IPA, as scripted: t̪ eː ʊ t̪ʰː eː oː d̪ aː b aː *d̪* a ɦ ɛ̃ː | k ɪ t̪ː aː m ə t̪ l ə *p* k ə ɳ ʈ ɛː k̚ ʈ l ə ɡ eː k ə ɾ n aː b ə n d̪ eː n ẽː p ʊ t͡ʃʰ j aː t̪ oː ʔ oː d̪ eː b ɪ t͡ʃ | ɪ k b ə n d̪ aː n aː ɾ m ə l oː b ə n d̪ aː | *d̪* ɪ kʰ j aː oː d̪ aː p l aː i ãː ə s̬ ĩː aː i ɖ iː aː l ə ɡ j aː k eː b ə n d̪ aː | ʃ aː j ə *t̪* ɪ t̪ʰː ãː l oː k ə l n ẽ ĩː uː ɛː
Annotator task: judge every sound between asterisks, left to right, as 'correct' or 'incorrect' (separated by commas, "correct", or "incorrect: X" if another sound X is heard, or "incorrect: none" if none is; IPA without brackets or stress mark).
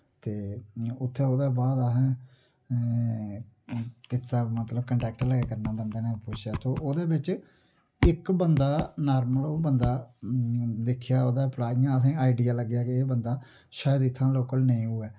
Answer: correct, incorrect: b, correct, incorrect: d̪